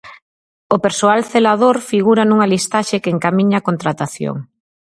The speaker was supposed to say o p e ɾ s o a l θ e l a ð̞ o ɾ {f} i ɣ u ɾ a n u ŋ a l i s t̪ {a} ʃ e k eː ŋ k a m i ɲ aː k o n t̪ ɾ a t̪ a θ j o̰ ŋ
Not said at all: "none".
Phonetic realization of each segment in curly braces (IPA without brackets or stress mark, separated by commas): f, a